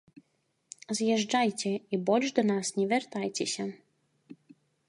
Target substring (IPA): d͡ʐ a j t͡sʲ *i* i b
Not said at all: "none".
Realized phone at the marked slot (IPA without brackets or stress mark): ɛ